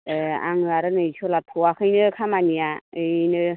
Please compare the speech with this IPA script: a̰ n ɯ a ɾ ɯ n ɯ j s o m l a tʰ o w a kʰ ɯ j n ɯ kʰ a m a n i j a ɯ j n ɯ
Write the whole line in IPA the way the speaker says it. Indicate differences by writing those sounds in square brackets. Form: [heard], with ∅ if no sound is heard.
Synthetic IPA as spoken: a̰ [ŋ] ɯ a ɾ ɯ n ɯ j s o [∅] l a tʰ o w a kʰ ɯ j n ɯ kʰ a m a n i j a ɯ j n ɯ